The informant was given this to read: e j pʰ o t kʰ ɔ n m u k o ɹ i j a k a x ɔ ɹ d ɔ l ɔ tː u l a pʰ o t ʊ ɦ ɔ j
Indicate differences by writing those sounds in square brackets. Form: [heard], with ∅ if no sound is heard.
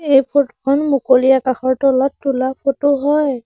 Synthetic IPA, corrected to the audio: e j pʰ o t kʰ ɔ n m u k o [l] i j a k a x ɔ ɹ [t] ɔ l ɔ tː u l a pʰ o t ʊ ɦ ɔ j